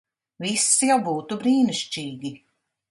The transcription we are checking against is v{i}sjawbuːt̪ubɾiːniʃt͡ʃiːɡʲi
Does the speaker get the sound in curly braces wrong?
no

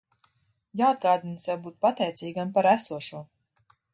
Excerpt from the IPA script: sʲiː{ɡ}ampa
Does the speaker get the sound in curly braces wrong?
no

